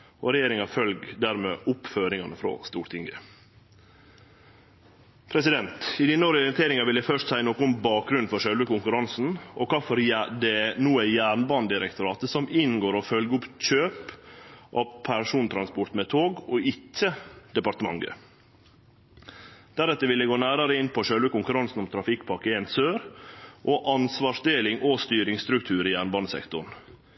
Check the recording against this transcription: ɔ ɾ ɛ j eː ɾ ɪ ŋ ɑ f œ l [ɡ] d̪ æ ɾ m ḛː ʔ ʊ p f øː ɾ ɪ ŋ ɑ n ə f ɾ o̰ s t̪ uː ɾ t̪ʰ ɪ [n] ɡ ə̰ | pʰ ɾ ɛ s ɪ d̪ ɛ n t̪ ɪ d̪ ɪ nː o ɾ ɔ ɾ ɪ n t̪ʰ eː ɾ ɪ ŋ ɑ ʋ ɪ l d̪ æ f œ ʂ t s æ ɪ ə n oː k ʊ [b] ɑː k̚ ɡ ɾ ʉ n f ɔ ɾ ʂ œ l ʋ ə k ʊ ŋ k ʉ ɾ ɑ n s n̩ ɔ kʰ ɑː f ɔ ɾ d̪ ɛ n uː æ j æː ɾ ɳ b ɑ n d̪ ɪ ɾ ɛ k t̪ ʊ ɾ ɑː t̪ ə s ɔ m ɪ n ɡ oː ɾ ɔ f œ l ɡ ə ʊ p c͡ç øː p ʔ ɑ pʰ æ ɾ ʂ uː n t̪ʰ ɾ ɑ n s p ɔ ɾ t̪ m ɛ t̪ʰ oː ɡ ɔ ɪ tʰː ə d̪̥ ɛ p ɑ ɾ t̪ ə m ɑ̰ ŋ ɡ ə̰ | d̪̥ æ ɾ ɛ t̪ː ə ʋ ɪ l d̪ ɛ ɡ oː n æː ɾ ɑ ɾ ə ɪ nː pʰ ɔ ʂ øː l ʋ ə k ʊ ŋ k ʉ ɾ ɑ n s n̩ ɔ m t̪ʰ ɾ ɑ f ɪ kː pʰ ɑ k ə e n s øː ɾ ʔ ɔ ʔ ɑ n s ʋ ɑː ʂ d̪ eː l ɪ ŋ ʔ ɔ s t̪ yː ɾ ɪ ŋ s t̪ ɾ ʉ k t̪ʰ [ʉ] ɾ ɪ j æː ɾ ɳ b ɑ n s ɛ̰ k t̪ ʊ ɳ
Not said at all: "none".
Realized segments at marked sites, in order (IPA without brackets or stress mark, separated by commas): ɡ, ŋ, b, ʉː